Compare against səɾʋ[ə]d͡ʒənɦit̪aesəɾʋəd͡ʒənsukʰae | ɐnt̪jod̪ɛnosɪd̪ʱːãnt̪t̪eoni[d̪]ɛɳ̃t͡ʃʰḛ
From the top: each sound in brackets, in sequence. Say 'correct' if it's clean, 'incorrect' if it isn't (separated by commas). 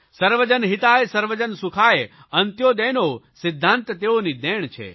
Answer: correct, correct